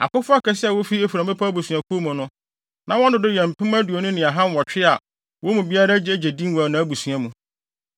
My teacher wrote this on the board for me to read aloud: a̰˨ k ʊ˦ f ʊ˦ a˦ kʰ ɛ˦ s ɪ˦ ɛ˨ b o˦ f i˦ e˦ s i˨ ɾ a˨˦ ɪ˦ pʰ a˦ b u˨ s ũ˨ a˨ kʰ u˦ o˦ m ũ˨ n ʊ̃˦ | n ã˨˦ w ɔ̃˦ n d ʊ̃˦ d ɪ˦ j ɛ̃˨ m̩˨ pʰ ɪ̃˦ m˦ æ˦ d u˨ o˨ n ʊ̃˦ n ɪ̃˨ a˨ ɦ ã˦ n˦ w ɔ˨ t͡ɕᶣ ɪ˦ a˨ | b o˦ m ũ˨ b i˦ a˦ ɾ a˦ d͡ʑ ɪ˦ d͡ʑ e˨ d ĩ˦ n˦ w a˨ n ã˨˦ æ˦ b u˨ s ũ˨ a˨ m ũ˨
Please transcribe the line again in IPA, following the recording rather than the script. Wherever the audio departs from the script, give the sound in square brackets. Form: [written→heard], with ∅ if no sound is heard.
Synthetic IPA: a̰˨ k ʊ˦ f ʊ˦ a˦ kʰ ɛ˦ s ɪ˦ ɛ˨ [b→w] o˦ f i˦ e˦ [s→f] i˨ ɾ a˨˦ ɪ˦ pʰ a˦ b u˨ s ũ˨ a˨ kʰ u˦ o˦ m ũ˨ n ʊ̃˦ | n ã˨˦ w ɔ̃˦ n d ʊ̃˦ d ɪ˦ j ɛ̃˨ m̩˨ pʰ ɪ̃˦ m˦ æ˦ d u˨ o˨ n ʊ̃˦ n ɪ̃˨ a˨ ɦ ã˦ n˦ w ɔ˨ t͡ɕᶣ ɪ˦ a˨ | [b→w] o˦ m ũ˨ b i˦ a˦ ɾ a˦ d͡ʑ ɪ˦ d͡ʑ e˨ d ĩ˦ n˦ w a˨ n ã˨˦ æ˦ b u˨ s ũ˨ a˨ m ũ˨